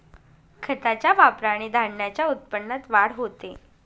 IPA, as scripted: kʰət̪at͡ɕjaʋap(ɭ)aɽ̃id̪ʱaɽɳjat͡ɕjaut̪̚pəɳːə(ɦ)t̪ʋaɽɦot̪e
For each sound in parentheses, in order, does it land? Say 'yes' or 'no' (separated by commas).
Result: no, no